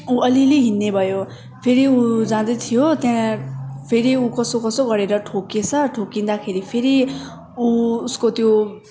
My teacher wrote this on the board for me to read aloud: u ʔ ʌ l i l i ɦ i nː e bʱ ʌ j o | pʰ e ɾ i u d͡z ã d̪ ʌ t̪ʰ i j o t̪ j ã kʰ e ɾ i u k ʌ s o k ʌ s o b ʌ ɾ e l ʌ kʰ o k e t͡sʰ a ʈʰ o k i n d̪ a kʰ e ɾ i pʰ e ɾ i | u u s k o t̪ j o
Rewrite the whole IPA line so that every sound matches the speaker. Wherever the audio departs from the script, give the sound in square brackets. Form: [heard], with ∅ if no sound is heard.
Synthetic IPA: u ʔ ʌ l i l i ɦ i nː e bʱ ʌ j o | pʰ e ɾ i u d͡z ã d̪ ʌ t̪ʰ i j o t̪ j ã [pʰ] e ɾ i u k ʌ s o k ʌ s o [ɡ] ʌ ɾ e [ɾ] ʌ [ʈʰ] o k e t͡sʰ [ʌ] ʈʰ o k i n d̪ a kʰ e ɾ i pʰ e ɾ i | u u s k o t̪ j o